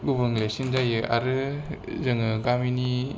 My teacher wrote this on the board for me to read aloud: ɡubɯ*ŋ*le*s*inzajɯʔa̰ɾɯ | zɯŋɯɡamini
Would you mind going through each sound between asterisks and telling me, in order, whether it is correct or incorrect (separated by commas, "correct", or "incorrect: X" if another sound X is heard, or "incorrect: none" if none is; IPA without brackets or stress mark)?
correct, correct